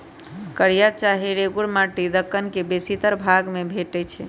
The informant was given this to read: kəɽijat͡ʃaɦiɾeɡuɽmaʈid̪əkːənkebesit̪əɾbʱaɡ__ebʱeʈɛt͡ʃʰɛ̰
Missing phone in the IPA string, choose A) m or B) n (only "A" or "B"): A